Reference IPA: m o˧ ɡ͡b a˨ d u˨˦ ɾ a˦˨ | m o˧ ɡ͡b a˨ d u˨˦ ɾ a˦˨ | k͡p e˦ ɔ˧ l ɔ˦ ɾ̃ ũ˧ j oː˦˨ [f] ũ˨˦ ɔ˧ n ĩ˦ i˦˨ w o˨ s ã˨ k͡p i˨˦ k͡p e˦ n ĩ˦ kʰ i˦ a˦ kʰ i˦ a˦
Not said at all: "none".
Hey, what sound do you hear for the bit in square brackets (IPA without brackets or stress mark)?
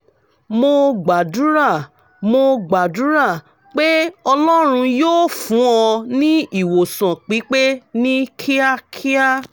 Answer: f